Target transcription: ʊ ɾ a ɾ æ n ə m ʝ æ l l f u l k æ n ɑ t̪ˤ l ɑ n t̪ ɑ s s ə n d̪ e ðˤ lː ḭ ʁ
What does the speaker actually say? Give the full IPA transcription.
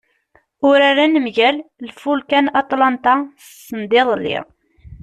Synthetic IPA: ʊ ɾ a ɾ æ n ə m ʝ æ l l f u l k æ n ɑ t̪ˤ l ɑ n t̪ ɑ s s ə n d̪ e ðˤ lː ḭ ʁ